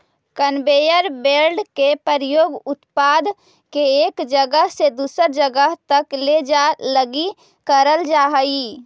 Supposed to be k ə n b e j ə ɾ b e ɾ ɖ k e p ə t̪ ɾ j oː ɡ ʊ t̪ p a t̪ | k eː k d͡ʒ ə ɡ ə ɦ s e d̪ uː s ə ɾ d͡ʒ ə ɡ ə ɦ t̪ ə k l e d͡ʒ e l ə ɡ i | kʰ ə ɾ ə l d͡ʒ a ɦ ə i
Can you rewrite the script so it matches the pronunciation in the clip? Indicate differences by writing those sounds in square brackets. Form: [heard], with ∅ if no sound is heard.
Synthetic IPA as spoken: k ə n b e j ə ɾ b e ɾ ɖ k e p ə [∅] ɾ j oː ɡ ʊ t̪ p a [d̪] | k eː k d͡ʒ ə ɡ ə ɦ s e d̪ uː s ə ɾ d͡ʒ ə ɡ ə ɦ t̪ ə k l e d͡ʒ [a] l ə ɡ i | [k] ə ɾ ə l d͡ʒ a ɦ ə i